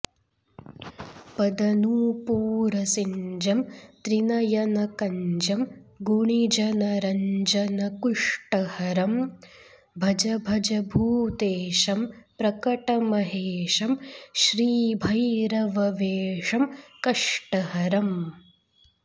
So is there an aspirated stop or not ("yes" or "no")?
no